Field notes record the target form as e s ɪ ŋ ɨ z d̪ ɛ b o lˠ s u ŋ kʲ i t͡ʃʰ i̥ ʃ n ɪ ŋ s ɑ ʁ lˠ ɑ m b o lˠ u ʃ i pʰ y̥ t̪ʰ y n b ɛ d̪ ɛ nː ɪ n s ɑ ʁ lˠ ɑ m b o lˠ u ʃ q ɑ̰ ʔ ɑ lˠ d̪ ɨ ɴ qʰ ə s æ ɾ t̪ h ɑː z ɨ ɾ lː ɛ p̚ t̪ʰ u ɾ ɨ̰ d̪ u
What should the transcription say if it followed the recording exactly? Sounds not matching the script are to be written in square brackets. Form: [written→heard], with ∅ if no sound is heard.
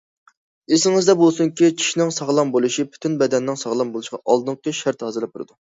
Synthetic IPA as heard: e s ɪ ŋ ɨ z d̪ ɛ b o lˠ s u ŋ kʲ i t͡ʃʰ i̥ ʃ n ɪ ŋ s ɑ ʁ lˠ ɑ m b o lˠ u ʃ i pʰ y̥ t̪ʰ y n b ɛ d̪ ɛ nː ɪ [n→ŋ] s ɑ ʁ lˠ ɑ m b o lˠ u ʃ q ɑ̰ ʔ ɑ lˠ d̪ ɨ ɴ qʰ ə [s→ʃ] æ ɾ t̪ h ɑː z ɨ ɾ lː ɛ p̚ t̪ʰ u ɾ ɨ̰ d̪ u